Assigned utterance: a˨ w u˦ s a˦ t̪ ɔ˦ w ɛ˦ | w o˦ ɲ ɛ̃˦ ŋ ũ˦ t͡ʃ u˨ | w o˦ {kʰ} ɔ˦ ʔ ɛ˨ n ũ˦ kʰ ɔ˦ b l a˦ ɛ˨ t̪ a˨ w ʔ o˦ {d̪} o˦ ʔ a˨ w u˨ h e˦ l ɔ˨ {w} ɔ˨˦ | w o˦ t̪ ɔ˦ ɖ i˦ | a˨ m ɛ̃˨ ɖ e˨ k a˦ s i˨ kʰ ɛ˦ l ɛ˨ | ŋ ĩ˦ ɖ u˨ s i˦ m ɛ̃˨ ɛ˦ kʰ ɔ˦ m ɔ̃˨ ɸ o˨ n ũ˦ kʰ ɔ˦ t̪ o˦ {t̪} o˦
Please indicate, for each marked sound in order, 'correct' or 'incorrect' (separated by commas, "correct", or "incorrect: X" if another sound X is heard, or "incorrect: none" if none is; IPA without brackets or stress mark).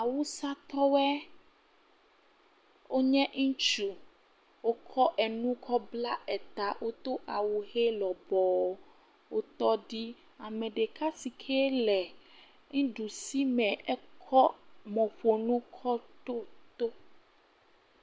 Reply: correct, incorrect: t̪, incorrect: b, correct